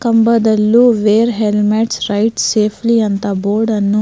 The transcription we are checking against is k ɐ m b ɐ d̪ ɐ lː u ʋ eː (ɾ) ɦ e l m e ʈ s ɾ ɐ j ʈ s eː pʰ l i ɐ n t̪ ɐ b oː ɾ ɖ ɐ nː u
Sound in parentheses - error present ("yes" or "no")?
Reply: no